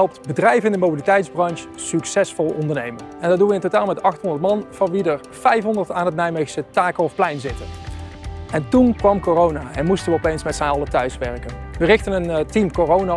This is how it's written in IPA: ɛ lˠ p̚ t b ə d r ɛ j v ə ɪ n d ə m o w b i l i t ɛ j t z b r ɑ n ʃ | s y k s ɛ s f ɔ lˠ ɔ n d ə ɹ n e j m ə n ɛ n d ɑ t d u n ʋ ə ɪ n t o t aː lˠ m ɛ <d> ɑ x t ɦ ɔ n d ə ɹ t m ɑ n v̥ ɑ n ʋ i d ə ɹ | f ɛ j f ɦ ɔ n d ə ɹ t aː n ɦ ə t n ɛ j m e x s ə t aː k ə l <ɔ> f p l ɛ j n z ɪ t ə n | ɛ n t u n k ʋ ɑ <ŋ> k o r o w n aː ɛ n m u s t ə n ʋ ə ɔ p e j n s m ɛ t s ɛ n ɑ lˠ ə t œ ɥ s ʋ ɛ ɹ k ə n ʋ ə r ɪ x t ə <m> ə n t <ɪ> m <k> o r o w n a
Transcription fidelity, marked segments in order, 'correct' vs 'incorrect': incorrect, correct, incorrect, incorrect, incorrect, correct

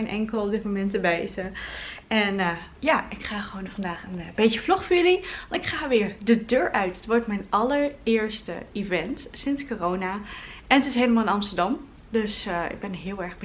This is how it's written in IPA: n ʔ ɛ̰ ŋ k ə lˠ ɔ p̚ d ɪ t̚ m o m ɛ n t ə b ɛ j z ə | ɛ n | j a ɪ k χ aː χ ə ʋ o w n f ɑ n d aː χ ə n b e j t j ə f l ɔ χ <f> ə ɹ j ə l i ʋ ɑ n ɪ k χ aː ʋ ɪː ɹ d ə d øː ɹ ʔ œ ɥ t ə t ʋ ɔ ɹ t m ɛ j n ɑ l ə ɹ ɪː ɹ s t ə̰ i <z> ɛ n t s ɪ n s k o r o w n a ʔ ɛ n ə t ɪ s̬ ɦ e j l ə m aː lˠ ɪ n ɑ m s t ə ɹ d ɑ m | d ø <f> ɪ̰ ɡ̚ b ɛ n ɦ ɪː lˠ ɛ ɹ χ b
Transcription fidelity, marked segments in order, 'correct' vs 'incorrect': correct, incorrect, incorrect

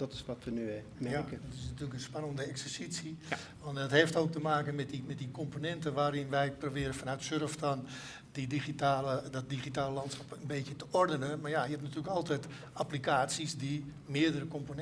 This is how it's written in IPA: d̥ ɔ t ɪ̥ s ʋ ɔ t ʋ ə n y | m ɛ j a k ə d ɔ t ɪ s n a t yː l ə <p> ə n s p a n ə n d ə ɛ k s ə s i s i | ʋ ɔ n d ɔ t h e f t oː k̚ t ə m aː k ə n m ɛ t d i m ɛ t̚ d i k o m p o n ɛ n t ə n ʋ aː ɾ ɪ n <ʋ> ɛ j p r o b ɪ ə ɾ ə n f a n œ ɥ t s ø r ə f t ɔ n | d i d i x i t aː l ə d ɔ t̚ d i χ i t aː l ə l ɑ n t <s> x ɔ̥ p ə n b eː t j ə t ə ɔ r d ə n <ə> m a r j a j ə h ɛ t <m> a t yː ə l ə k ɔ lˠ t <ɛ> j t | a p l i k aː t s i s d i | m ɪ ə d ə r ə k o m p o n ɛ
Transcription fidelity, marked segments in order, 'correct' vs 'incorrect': incorrect, correct, correct, correct, incorrect, correct

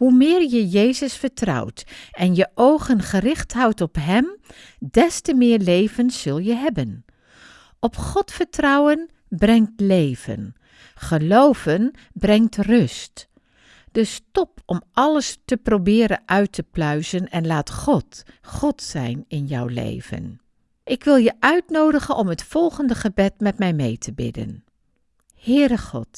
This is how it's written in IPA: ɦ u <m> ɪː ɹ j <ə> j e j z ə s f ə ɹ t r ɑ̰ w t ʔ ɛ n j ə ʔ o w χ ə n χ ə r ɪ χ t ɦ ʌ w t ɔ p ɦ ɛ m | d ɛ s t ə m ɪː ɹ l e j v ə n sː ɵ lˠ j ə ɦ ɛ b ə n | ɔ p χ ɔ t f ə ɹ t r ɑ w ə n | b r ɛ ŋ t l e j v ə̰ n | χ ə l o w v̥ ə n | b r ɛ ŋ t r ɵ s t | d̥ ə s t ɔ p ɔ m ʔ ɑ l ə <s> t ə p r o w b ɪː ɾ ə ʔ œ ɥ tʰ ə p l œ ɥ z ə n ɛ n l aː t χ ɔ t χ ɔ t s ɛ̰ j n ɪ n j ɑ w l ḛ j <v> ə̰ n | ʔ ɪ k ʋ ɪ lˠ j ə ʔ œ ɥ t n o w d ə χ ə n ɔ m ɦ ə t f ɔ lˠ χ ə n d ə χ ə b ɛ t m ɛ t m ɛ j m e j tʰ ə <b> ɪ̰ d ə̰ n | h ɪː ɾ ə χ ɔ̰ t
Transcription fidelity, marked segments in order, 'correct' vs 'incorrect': correct, correct, correct, correct, correct

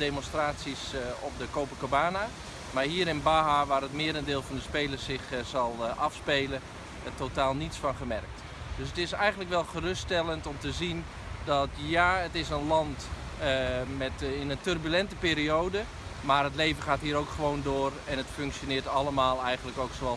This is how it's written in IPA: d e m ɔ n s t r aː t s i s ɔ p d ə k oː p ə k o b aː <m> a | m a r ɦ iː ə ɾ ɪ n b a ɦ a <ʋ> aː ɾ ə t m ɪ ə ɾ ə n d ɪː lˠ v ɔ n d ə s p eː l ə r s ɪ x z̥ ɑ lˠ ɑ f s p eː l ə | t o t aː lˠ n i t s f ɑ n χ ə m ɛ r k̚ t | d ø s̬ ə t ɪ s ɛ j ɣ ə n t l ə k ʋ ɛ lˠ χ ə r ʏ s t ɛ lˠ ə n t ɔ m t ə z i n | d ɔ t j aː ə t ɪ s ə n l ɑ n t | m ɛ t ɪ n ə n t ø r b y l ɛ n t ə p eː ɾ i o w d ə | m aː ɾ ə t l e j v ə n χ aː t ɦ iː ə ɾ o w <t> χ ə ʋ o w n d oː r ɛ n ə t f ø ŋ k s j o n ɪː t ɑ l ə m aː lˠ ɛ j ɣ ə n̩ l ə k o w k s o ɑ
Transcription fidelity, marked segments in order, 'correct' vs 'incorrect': incorrect, correct, incorrect

